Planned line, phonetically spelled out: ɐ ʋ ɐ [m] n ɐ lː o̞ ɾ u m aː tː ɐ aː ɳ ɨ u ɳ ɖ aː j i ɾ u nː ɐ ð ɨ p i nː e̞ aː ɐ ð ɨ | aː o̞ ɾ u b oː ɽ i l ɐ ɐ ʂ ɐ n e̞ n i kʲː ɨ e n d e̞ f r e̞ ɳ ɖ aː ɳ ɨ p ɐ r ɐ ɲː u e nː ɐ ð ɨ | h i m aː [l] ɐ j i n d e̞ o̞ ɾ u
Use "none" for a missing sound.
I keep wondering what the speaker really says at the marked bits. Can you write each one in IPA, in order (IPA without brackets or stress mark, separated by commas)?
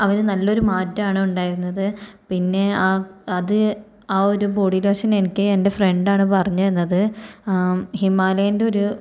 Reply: n, l